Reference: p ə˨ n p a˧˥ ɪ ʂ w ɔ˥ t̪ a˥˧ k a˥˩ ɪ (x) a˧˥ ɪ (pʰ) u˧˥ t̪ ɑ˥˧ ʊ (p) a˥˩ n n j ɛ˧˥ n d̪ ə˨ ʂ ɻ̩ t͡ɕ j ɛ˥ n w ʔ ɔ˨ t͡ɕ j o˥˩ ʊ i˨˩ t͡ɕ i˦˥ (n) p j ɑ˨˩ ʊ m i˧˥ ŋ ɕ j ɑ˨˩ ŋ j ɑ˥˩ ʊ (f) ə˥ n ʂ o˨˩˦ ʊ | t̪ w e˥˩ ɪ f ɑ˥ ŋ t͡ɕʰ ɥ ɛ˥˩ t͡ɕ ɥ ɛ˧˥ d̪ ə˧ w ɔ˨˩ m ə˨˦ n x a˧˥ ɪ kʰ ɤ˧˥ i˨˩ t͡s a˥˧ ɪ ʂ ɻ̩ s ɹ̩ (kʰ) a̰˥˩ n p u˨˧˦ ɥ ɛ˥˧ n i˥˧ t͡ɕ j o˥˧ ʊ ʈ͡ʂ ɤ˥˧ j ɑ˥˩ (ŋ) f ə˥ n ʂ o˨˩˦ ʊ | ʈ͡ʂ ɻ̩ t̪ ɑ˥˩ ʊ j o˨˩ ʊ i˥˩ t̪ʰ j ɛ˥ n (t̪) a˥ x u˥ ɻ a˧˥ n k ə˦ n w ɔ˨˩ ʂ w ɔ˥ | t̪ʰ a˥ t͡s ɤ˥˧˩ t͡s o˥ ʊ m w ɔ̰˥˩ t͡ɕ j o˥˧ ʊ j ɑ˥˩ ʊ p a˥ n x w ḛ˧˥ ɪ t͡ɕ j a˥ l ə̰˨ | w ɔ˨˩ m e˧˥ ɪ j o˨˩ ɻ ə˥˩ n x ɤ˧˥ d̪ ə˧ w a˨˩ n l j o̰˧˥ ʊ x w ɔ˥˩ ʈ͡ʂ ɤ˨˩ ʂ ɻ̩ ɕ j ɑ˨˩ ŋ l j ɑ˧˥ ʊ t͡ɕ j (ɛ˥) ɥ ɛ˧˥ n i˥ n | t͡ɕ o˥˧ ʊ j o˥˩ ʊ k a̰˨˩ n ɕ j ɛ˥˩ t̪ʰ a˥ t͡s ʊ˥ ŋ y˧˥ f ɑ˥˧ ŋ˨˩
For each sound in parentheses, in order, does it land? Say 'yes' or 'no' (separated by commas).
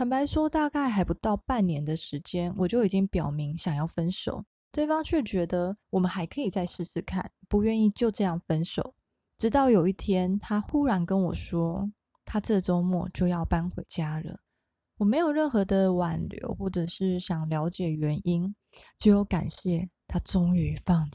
yes, no, yes, no, yes, yes, yes, no, no